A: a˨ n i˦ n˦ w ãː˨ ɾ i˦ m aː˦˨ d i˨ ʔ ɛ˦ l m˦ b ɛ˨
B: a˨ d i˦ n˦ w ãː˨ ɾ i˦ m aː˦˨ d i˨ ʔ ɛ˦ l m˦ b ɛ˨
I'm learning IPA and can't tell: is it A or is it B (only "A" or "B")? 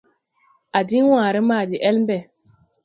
B